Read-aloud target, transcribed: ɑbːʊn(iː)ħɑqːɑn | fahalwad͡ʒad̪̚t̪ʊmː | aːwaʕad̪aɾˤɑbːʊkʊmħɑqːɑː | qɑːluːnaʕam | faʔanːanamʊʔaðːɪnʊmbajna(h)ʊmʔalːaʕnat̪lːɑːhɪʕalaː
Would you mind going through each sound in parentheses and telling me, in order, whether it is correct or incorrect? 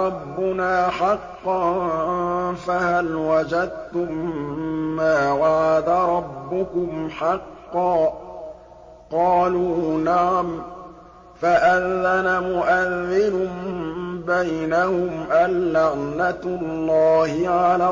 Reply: incorrect: aː, correct

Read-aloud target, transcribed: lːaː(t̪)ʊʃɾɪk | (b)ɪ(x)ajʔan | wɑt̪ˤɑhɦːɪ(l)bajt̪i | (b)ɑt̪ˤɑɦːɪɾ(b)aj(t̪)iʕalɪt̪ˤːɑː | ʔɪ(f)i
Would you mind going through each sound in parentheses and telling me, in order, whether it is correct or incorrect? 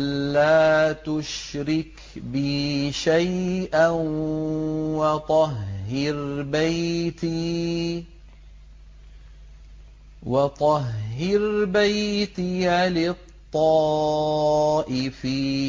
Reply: correct, correct, incorrect: ʃ, incorrect: ɾ, incorrect: w, correct, correct, correct

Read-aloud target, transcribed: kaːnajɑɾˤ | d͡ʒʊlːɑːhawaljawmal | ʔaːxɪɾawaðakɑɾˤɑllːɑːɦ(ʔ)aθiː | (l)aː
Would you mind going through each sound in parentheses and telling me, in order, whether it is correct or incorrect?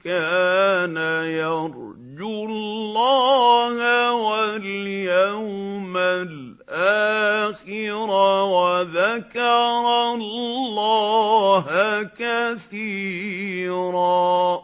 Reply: incorrect: k, incorrect: ɾ

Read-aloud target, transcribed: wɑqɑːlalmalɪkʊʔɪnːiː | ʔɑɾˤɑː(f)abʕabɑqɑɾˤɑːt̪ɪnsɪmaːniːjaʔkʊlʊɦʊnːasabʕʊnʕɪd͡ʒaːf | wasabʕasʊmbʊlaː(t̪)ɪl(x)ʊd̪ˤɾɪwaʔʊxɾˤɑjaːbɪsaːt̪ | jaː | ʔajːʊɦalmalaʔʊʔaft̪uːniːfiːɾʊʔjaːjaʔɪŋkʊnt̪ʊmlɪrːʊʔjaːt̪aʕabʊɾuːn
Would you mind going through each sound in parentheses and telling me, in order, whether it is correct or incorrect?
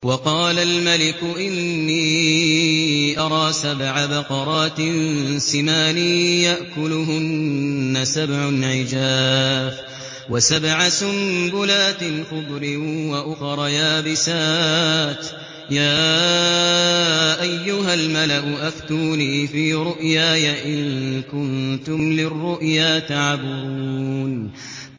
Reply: incorrect: s, correct, correct

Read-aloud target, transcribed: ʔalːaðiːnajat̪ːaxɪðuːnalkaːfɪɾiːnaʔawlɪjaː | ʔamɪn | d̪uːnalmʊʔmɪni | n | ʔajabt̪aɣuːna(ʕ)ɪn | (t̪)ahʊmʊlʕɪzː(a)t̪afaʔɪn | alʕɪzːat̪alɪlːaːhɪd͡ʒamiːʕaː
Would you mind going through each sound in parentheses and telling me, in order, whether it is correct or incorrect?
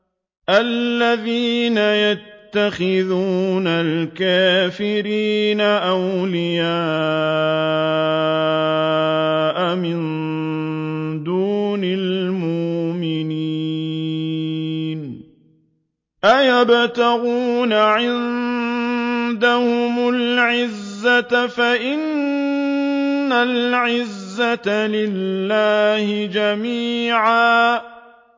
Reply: correct, incorrect: d̪, correct

